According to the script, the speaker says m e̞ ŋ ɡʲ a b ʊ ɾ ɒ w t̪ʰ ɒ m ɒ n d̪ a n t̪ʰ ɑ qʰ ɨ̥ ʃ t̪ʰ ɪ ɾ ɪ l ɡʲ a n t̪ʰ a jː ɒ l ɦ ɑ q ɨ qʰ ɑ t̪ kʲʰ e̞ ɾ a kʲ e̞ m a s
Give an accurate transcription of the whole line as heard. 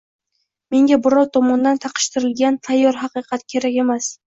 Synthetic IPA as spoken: m e̞ ŋ ɡʲ a b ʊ ɾ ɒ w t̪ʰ ɒ m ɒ n d̪ a n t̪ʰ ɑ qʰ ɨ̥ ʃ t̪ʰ ɪ ɾ ɪ l ɡʲ a n t̪ʰ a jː ɒ ɾ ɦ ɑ q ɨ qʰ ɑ t̪ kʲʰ e̞ ɾ a kʲ e̞ m a s

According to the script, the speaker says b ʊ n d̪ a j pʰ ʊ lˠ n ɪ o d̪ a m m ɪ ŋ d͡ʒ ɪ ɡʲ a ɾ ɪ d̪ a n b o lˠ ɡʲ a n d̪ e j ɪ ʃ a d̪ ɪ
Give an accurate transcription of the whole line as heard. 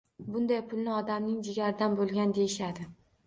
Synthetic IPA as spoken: b ʊ n d̪ a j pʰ ʊ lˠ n ɪ ɒ d̪ a m n ɪ ŋ d͡ʒ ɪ ɡʲ a ɾ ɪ d̪ a n b o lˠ ɡʲ a n d̪ e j ɪ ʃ a d̪ ɪ

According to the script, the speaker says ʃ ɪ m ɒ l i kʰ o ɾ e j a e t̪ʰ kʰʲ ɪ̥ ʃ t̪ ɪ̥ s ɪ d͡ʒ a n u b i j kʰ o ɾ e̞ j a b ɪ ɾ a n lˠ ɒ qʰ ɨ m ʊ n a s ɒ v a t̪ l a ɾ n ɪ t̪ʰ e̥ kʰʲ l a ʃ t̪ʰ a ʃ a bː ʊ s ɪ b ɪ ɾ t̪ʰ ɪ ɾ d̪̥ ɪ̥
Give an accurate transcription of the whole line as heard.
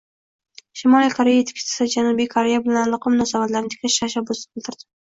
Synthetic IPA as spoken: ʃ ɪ m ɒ l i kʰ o ɾ e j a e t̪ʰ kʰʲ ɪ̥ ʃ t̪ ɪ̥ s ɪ d͡ʒ a n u b i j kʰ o ɾ e̞ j a b ɪ l a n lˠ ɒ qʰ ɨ m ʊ n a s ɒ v a t̪ l a ɾ n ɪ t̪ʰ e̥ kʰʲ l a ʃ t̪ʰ a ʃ a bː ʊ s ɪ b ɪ l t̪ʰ ɪ ɾ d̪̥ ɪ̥

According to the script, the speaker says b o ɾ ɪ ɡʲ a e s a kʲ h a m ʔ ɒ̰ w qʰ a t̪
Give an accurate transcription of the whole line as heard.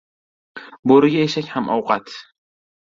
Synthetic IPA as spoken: b o ɾ ɪ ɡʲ a e ʃ a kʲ h a m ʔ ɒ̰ w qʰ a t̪

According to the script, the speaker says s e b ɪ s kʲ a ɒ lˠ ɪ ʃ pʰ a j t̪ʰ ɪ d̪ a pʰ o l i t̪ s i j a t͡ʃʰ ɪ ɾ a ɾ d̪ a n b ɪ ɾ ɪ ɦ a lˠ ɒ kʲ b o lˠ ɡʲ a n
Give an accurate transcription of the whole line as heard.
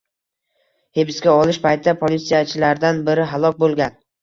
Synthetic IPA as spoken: h e b ɪ s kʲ a ɒ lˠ ɪ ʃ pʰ a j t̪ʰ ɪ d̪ a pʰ o l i t̪ s i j a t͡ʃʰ ɪ l a ɾ d̪ a n b ɪ ɾ ɪ ɦ a lˠ ɒ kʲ b o lˠ ɡʲ a n

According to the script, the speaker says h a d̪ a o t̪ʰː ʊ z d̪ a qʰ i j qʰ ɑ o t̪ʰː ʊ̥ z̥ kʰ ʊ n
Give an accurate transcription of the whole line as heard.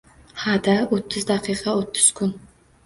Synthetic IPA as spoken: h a d̪ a o t̪ʰː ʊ z d̪ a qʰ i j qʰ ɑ o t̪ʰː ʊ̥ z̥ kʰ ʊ n

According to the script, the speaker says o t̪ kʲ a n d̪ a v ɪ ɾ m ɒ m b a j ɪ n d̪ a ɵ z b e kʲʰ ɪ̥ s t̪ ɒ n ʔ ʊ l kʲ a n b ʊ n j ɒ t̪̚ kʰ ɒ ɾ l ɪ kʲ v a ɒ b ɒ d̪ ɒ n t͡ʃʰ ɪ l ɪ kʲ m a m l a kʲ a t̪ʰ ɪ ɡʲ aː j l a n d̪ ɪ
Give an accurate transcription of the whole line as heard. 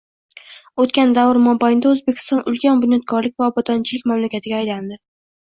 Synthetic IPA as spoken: o t̪ kʲ a n d̪ a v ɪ ɾ m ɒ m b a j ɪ n d̪ a ɵ z b e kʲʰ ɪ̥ s t̪ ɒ n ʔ ʊ l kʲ a n b ʊ n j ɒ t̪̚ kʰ ɒ ɾ l ɪ kʲ v a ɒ b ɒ d̪ ɒ n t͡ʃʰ ɪ l ɪ kʲ m a m l a kʲ a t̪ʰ ɪ ɡʲ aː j l a n d̪ ɪ

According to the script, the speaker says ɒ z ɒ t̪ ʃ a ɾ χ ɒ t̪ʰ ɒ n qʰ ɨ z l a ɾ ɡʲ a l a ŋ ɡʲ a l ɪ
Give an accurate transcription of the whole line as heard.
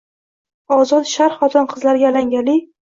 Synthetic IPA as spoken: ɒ z ɒ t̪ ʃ a ɾ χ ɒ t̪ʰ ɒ n qʰ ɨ z l a ɾ ɡʲ a l a ŋ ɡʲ a l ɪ

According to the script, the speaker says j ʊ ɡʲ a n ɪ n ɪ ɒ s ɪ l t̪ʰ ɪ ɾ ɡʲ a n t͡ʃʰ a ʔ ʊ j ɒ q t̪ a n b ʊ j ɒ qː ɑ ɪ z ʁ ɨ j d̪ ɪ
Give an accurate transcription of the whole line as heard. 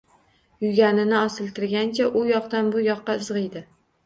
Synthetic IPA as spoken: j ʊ ɡʲ a n ɪ n ɪ ɒ s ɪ l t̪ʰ ɪ ɾ ɡʲ a n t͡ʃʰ a ʔ ʊ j ɒ q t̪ a n b ʊ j ɒ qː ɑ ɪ z ʁ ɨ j d̪ ɪ

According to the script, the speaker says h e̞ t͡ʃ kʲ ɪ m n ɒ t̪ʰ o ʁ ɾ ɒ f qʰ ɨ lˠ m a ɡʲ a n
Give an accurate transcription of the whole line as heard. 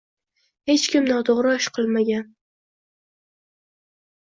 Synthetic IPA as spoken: h e̞ t͡ʃ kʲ ɪ m n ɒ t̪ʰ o ʁ ɾ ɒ ʃ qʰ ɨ lˠ m a ɡʲ a n

